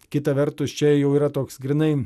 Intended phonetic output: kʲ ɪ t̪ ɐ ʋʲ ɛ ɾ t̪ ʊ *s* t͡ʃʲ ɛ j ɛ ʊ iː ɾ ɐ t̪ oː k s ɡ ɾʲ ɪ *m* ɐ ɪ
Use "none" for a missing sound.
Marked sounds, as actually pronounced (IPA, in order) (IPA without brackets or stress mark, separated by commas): s, n